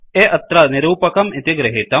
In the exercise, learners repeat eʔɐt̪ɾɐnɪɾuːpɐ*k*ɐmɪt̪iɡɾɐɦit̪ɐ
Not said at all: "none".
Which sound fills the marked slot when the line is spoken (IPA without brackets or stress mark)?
k